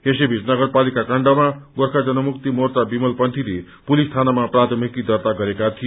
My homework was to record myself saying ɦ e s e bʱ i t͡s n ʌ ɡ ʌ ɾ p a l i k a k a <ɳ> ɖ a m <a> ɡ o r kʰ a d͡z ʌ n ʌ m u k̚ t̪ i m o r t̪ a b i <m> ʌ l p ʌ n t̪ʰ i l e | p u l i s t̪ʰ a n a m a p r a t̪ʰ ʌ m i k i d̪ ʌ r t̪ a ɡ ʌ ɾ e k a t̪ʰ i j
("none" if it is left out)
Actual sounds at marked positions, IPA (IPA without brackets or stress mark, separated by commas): ɳ, a, m